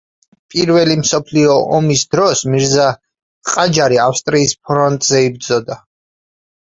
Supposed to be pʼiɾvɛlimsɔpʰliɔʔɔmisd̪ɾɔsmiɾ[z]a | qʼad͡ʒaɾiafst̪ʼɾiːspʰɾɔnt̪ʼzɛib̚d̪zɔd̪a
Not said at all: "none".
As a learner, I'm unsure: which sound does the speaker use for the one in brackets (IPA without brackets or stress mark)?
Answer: z